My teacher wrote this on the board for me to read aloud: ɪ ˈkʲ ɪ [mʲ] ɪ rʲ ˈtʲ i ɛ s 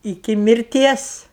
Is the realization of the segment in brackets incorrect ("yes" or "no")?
no